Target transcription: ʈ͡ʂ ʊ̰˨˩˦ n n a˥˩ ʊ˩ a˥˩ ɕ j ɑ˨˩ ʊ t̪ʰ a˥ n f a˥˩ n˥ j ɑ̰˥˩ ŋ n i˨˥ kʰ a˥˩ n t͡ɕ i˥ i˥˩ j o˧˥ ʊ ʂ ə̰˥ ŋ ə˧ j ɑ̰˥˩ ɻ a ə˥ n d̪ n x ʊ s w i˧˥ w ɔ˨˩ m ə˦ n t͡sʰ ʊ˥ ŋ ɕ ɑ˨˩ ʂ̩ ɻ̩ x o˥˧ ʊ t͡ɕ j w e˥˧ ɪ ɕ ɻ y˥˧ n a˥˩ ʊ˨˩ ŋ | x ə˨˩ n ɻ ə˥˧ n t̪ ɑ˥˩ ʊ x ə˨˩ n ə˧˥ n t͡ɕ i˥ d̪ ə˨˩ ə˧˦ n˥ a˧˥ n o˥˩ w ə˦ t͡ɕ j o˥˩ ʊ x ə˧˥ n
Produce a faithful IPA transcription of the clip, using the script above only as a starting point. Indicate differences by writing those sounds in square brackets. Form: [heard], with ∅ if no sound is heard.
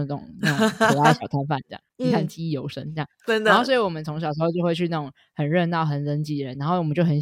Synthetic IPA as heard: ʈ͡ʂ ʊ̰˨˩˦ [ŋ] n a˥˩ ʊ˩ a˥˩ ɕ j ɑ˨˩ ʊ t̪ʰ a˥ n f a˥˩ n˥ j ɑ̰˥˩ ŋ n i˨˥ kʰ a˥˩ n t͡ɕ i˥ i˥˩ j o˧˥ ʊ ʂ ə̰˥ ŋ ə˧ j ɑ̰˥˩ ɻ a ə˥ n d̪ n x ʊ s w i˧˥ w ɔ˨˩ m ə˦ n t͡sʰ [ʊ˧˥] ŋ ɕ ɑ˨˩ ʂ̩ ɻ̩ x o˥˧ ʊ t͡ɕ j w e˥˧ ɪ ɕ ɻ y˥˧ n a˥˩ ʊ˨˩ ŋ | x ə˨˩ n ɻ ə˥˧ n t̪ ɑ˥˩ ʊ x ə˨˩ n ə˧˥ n t͡ɕ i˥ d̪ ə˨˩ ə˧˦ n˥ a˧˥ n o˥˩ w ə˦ t͡ɕ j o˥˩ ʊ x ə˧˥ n